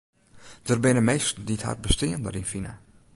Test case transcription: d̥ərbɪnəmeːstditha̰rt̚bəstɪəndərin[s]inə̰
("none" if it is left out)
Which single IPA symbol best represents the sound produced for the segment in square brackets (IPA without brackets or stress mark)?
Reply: f